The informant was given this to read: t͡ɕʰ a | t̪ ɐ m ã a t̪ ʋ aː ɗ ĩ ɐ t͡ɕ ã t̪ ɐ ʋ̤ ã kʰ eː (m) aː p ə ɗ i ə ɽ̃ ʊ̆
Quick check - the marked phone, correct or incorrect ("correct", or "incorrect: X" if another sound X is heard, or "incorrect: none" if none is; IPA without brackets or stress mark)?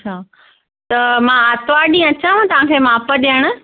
correct